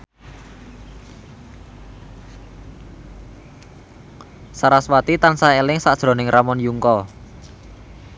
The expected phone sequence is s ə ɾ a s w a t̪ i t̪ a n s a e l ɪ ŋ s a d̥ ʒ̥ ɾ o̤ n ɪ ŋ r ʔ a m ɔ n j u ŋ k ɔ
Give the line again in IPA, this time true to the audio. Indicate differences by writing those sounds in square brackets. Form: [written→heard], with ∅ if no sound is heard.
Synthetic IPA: s [ə→a] ɾ a s w a t̪ i t̪ a n s a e l ɪ ŋ s a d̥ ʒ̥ ɾ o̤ n ɪ ŋ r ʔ a m ɔ n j u ŋ k ɔ